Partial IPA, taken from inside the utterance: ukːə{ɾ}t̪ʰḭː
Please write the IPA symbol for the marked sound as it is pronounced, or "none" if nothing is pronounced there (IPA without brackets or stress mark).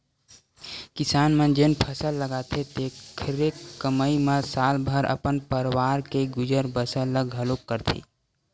ɾ